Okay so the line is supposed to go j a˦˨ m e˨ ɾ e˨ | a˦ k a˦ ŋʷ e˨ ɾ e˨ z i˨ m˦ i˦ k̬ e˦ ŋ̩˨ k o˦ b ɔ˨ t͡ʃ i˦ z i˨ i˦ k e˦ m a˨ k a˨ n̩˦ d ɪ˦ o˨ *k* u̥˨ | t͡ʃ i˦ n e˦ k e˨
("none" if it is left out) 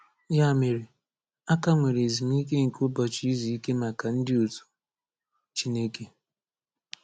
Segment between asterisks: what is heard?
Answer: t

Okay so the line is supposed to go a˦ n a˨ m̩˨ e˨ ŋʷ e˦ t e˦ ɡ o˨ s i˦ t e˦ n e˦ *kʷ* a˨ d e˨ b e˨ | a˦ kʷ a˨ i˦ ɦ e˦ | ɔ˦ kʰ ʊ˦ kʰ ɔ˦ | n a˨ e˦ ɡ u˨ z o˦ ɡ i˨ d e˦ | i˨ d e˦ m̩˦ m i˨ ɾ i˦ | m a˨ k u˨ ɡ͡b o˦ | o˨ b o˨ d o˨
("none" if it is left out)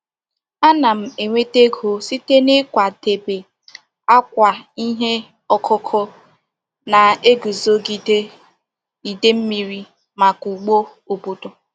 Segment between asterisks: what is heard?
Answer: kʷ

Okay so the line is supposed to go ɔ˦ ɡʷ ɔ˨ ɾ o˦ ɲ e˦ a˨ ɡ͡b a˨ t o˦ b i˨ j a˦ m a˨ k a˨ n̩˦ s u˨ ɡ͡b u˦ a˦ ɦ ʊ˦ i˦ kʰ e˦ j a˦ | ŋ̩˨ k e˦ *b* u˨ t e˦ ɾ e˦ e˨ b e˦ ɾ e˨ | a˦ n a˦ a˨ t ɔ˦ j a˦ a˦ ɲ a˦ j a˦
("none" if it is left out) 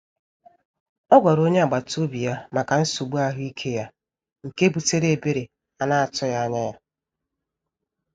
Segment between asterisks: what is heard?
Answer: b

